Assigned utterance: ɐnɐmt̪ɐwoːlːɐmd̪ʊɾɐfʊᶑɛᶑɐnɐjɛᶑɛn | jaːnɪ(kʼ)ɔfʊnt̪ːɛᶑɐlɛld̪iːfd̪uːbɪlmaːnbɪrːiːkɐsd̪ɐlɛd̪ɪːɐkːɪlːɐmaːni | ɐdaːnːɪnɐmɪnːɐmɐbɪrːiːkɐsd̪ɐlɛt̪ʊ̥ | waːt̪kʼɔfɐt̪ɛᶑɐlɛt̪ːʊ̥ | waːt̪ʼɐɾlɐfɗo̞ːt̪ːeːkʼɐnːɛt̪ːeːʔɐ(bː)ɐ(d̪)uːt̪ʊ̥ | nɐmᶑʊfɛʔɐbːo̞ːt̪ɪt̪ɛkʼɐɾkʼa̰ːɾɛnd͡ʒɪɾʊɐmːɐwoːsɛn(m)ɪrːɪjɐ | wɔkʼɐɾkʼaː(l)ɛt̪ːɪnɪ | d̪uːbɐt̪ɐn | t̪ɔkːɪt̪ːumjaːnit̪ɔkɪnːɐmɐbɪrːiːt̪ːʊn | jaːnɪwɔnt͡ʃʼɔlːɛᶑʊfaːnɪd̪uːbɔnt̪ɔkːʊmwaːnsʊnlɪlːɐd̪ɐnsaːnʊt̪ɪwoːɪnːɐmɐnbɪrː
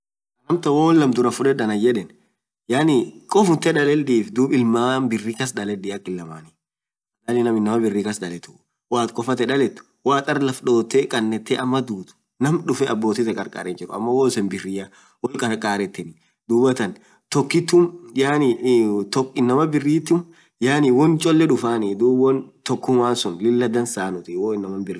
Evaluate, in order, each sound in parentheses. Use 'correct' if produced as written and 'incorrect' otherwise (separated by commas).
correct, incorrect, correct, incorrect, incorrect